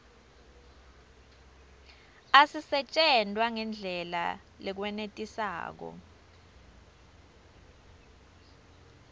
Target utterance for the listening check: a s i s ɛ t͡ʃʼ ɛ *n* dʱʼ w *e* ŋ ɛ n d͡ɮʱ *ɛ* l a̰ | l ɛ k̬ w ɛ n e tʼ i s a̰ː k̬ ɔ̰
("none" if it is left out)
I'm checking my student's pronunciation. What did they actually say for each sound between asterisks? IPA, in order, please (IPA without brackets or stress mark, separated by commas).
n, a, ɛ